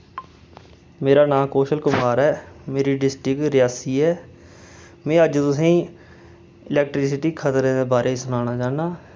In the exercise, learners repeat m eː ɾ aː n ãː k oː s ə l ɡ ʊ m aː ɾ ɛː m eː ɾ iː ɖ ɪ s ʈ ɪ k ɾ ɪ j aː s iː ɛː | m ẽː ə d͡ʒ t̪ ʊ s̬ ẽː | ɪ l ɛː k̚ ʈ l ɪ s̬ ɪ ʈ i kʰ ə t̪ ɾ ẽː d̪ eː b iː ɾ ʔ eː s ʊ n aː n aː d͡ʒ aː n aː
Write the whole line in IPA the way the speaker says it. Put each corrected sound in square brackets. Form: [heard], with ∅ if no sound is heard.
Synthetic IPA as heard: m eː ɾ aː n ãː k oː [ʃ] ə l [k] ʊ m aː ɾ ɛː m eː ɾ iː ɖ ɪ s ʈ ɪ k ɾ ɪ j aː s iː ɛː | m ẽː ə d͡ʒ t̪ ʊ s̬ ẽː | ɪ l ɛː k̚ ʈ [ɾ] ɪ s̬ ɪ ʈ [iː] kʰ ə t̪ ɾ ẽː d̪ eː b [aː] ɾ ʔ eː s ʊ n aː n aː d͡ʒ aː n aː